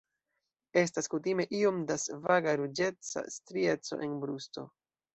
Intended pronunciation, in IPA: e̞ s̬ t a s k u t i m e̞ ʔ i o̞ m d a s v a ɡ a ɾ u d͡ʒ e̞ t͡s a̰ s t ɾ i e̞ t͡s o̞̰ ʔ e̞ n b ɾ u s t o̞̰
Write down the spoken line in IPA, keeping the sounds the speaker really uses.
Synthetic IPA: e̞ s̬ t a s k u t i m e̞ ʔ i o̞ m d a s v a ɡ a ɾ u d͡ʒ e̞ t͡s a̰ s t ɾ i e̞ t͡s o̞̰ ʔ e̞ n b ɾ u s t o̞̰